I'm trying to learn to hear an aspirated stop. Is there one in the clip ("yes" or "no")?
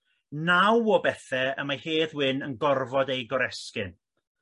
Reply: no